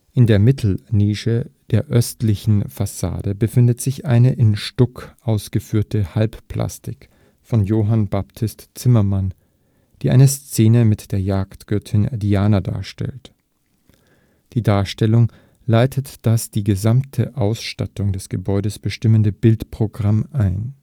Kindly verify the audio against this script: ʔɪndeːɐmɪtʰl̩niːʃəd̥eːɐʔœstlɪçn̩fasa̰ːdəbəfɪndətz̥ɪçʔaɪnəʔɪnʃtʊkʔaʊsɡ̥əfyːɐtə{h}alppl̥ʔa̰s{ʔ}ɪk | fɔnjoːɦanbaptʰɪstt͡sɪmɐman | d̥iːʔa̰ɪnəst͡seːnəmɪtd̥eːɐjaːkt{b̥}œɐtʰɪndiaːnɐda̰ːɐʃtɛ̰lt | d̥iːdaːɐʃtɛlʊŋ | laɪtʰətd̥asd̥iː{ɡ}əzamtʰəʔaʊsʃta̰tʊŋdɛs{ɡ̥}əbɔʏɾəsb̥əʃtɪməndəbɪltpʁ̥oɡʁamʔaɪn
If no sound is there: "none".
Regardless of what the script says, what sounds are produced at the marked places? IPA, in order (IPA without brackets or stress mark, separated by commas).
h, t, ɡ̥, ɡ, ɡ̥